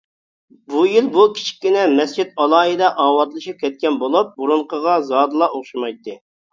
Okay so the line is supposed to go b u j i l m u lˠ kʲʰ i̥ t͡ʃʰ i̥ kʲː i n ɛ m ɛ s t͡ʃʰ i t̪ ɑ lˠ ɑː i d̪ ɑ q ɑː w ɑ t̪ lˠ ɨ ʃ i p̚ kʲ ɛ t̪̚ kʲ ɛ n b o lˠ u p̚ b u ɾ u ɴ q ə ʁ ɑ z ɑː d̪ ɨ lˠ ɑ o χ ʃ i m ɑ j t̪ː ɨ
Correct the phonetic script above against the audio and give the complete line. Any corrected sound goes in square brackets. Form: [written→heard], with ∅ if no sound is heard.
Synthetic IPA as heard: b u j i l [m→b] u [lˠ→∅] kʲʰ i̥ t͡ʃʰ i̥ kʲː i n ɛ m ɛ s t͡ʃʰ i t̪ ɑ lˠ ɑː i d̪ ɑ [q→ʔ] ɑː w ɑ t̪ lˠ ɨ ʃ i p̚ kʲ ɛ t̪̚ kʲ ɛ n b o lˠ u p̚ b u ɾ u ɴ q ə ʁ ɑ z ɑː d̪ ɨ lˠ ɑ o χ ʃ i m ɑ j t̪ː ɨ